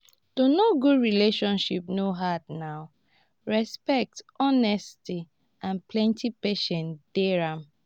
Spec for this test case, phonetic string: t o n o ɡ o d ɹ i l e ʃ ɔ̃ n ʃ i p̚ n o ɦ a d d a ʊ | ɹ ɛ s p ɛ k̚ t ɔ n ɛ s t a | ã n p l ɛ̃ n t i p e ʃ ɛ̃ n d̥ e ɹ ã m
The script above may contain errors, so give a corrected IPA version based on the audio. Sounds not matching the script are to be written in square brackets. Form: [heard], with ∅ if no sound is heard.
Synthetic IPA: t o n o ɡ [u] d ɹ i l e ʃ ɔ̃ n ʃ i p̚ n o ɦ a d [n] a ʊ | ɹ ɛ s p ɛ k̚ t ɔ n ɛ s t [i] | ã n p l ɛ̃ n t i p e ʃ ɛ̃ n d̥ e ɹ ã m